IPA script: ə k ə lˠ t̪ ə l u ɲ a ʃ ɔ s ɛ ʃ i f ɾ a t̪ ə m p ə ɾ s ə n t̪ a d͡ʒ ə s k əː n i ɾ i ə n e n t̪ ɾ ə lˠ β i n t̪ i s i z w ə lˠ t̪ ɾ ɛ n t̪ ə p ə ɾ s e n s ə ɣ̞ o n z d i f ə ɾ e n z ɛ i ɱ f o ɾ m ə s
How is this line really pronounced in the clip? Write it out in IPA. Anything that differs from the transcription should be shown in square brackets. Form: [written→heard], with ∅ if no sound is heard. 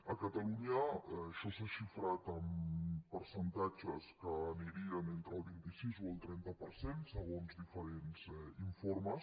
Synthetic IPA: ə k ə [lˠ→∅] t̪ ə l u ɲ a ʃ ɔ s [ɛ→a] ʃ i f ɾ a t̪ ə m p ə ɾ s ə n t̪ a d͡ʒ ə s k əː n i ɾ i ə n e n t̪ ɾ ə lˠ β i n t̪ i s i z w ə lˠ t̪ ɾ ɛ n t̪ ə p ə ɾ s e n s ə ɣ̞ o n z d i f ə ɾ e n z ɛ i ɱ f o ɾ m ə s